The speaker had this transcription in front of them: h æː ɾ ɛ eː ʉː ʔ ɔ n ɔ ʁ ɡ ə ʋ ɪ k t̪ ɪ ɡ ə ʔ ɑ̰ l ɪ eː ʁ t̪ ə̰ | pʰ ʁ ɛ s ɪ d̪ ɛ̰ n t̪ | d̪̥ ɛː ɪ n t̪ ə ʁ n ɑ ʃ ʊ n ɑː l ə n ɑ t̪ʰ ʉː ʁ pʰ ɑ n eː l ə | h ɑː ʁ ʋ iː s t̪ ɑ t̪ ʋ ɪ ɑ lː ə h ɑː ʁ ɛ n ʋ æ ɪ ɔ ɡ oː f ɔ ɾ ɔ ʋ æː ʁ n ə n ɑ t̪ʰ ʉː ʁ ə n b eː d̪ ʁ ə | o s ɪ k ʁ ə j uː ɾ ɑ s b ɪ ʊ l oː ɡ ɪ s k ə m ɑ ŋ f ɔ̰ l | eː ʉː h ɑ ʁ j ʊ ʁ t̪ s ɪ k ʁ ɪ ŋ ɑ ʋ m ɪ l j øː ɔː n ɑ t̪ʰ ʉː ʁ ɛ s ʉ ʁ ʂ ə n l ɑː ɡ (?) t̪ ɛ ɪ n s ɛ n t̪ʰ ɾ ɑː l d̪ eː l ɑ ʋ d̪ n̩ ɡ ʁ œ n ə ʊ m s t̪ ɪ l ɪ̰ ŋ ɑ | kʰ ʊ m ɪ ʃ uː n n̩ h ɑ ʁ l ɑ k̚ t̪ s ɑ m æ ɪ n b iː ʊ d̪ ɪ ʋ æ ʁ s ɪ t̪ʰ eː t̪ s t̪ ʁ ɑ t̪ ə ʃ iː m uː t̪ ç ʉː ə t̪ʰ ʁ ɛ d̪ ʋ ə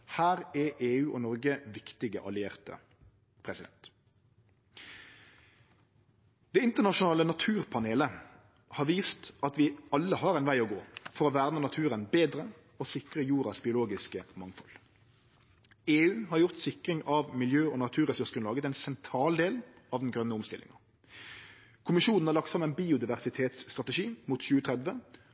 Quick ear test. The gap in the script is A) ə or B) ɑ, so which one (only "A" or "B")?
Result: A